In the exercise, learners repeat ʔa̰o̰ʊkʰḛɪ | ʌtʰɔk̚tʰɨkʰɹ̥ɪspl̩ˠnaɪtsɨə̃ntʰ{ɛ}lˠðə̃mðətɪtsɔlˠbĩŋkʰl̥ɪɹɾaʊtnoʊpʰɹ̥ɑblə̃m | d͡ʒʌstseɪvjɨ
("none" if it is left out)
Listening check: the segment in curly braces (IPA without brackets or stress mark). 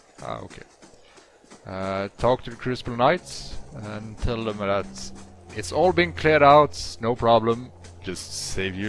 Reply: ɛ